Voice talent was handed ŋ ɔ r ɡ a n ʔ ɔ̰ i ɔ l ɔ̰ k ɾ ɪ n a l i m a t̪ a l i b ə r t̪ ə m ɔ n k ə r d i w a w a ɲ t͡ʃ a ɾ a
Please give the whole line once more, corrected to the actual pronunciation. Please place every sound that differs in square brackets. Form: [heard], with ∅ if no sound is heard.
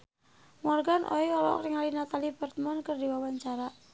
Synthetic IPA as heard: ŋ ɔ r ɡ a n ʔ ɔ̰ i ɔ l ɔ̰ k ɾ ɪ [ŋ] a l i [n] a t̪ a l i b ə r t̪ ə m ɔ n k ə r d i w a w a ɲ t͡ʃ a ɾ a